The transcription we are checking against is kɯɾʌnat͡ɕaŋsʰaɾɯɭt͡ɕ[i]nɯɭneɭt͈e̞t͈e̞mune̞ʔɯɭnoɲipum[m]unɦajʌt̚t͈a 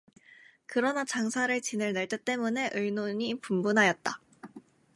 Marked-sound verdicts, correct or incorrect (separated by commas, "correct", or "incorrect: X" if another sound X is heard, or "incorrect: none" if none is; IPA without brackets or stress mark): correct, incorrect: b